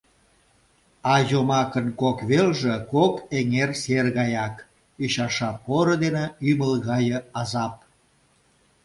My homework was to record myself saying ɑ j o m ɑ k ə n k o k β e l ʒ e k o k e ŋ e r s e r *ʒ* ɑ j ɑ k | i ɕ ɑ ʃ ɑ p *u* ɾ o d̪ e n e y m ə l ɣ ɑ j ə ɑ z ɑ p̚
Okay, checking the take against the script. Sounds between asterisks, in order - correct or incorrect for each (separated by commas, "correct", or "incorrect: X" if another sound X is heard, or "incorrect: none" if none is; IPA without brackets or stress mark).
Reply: incorrect: ɣ, incorrect: o